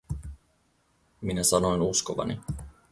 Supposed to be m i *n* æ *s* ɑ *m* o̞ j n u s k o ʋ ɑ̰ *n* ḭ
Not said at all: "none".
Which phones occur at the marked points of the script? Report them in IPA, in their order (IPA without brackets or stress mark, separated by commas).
n, s, n, n